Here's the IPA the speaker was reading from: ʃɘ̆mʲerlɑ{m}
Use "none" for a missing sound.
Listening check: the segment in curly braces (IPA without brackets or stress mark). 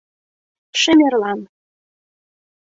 n